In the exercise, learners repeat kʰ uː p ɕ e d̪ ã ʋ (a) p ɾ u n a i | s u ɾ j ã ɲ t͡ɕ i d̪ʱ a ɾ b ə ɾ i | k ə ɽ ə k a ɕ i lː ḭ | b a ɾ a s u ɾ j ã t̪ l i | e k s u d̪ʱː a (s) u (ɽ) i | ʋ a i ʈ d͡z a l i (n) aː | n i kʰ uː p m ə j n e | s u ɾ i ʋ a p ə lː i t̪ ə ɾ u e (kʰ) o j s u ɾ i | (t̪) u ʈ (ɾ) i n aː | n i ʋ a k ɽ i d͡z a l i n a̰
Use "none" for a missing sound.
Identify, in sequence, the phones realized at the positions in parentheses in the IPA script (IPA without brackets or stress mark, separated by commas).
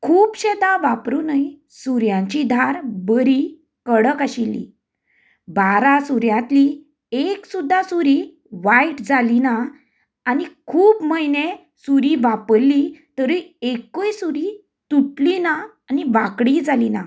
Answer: a, s, ɾ, n, k, t̪, l